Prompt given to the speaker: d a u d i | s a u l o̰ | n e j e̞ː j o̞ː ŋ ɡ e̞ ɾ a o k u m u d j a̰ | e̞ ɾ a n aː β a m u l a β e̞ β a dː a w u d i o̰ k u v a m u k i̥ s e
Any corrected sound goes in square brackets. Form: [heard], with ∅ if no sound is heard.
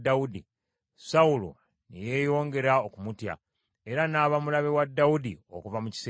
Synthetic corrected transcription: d a u d i | s a u l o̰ | n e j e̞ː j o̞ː ŋ ɡ e̞ ɾ a o k u m u [t] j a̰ | e̞ ɾ a n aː β a m u l a β e̞ [w] a dː a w u d i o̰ k u v a m u [c] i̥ s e